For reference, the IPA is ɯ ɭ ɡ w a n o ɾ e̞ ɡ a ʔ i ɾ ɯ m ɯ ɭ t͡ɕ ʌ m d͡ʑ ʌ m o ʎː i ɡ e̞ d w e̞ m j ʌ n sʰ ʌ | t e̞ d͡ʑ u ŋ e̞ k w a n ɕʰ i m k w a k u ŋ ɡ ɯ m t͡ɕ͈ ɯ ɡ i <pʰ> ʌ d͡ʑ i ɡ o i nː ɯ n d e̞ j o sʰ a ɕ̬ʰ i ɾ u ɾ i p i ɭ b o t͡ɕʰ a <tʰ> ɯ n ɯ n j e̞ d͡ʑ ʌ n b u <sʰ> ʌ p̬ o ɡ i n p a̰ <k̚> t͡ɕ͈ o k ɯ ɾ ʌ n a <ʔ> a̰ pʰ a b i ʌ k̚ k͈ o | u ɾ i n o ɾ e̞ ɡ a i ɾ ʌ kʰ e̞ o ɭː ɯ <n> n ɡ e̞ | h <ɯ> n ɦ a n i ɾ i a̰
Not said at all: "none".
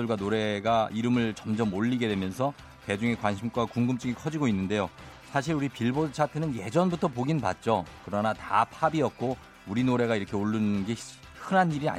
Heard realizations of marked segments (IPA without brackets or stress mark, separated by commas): kʰ, tʰ, tʰ, t̚, t, n, ɯ